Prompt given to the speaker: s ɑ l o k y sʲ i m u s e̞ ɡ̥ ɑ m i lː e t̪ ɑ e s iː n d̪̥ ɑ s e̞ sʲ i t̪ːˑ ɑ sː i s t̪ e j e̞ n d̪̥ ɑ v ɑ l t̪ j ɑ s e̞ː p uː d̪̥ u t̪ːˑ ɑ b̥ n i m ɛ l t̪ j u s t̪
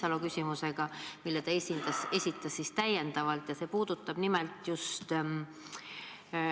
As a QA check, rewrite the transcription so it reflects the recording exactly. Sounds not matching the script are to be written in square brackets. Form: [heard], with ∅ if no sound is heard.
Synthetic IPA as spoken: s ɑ l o k y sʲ i m u s e̞ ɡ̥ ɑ m i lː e t̪ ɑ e s [i] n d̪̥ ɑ s e̞ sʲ i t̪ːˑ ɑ sː i s t̪ [æ] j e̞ n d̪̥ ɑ v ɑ l t̪ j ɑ s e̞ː p uː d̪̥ u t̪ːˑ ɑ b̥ n i m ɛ l t̪ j u s t̪